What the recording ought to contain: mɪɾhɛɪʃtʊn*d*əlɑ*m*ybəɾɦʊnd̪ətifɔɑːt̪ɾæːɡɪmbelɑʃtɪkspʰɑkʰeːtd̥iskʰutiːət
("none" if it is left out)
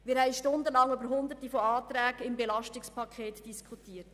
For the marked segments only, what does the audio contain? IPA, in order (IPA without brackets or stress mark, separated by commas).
d, ŋ